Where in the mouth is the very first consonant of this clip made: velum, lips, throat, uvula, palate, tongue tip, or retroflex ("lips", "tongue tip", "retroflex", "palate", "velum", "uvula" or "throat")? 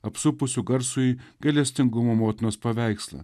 lips